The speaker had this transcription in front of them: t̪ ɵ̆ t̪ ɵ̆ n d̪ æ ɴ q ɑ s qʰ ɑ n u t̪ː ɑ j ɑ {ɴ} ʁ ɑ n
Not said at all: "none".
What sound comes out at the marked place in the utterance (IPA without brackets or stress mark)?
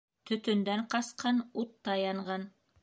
ɴ